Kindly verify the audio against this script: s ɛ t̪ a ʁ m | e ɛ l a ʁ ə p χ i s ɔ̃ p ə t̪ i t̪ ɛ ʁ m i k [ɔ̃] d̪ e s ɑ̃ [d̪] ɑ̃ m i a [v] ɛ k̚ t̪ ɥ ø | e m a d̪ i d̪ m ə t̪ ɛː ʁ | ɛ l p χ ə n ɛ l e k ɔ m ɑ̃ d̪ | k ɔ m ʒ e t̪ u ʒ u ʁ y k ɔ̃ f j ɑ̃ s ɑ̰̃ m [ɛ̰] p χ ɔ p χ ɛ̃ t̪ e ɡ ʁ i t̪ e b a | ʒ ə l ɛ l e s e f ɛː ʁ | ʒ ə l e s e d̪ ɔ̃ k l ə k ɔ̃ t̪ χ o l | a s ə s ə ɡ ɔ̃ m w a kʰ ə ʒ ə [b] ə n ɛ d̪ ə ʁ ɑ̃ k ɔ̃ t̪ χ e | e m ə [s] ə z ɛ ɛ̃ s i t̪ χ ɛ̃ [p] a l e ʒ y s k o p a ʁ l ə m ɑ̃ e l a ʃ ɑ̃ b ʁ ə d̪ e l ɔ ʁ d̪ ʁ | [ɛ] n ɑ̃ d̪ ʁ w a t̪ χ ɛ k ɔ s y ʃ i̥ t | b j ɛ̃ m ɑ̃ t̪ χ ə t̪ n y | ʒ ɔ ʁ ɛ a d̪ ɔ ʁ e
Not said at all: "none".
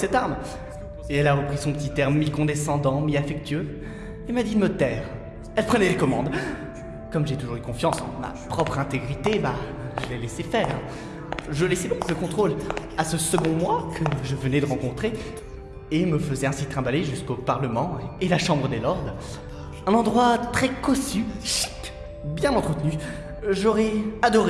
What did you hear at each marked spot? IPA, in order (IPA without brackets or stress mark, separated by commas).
ɔ̃, d̪, f, a̰, v, f, b, ɛ̃